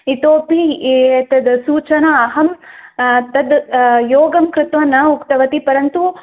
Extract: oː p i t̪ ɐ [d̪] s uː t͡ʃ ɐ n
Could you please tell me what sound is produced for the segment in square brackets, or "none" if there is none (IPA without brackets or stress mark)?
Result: d̪